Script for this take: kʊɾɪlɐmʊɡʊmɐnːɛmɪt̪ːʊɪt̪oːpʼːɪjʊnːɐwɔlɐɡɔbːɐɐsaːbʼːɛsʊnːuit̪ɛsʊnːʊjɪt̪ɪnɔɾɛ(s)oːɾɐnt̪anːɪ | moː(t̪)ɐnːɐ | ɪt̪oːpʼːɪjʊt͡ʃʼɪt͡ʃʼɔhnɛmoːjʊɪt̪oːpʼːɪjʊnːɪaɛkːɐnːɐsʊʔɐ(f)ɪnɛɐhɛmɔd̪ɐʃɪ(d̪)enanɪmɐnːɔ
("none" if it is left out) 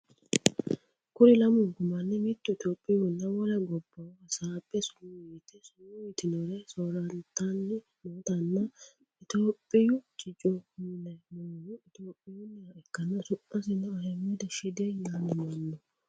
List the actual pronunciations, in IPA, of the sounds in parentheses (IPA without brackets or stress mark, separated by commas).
s, t̪, s, d̪